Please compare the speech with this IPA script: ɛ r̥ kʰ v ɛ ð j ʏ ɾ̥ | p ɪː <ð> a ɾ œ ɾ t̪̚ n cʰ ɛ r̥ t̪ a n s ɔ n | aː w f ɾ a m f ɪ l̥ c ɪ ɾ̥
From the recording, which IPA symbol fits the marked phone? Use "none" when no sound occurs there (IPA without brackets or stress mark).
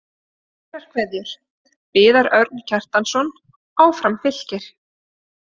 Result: ð